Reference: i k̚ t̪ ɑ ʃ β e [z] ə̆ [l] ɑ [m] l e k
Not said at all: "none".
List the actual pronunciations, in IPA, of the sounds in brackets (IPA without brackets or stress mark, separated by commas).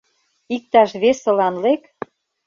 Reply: s, l, n